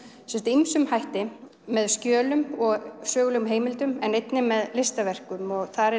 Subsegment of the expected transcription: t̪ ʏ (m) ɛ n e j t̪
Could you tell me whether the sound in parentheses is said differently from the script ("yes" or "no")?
no